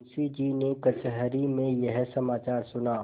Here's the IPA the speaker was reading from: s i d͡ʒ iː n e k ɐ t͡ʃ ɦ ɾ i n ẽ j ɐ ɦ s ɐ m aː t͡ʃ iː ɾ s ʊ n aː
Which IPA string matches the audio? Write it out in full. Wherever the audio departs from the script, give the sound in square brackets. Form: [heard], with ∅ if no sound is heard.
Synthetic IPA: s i d͡ʒ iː n e k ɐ t͡ʃ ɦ ɾ i [m] ẽ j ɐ ɦ s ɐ m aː t͡ʃ [aː] ɾ s ʊ n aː